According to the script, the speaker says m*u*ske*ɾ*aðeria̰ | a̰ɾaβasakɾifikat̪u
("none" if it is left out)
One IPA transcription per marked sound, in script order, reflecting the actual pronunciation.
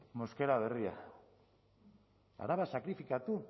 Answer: o, ɾ

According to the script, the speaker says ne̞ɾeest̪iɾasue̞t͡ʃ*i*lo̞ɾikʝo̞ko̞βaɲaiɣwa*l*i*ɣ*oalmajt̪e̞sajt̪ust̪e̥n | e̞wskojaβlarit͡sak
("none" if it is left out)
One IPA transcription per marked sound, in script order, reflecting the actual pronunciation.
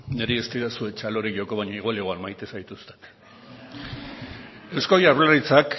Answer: a, l, ɣ

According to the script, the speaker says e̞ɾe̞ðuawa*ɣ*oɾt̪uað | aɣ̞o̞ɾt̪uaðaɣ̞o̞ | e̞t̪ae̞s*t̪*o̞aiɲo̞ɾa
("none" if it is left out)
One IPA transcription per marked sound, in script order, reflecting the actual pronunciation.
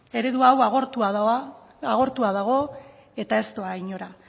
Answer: ɣ, t̪

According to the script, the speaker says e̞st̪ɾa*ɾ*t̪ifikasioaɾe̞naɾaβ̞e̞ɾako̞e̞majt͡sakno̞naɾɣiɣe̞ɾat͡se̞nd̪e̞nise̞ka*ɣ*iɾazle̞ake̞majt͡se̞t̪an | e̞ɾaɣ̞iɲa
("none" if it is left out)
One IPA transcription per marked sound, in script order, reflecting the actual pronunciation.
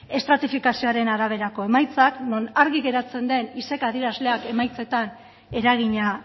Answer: none, ð

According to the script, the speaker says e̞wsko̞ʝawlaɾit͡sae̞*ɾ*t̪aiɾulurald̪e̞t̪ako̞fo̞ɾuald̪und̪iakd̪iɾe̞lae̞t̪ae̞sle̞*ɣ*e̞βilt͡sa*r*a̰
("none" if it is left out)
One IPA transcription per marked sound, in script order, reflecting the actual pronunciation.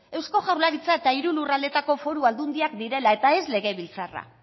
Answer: none, ɣ, r

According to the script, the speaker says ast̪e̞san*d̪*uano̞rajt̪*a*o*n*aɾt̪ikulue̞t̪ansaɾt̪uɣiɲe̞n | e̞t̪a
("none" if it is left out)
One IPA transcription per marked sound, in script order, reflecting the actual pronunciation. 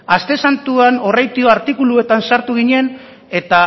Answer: t̪, i, none

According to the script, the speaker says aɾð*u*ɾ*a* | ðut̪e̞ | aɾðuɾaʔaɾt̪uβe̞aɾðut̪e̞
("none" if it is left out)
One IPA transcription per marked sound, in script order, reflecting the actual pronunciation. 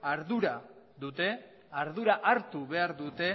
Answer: u, a

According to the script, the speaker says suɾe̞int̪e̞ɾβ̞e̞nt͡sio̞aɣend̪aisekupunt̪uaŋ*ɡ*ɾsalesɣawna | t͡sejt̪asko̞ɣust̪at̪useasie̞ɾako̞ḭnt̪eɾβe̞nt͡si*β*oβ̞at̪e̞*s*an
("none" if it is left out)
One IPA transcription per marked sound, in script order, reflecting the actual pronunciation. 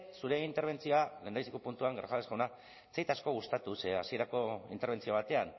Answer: ɡ, none, none

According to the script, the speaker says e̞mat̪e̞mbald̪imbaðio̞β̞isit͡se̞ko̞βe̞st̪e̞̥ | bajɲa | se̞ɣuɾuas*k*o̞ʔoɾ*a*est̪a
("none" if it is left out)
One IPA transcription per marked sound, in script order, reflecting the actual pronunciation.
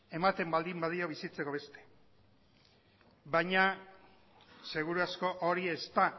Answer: k, i

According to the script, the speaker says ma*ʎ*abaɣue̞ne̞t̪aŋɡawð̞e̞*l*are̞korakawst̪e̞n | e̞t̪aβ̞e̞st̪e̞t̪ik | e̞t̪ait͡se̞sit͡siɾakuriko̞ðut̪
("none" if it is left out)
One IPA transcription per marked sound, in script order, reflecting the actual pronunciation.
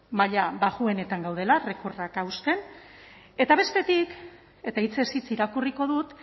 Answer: ʎ, l

